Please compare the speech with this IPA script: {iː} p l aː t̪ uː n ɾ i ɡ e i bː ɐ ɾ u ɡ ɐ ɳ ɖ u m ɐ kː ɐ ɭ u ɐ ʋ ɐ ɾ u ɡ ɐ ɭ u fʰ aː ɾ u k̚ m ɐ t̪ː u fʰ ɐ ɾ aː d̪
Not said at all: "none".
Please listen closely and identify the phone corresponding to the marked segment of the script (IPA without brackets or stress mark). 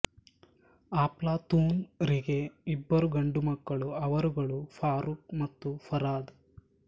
aː